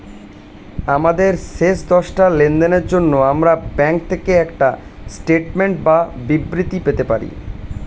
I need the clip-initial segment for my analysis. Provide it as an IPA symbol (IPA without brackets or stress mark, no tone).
a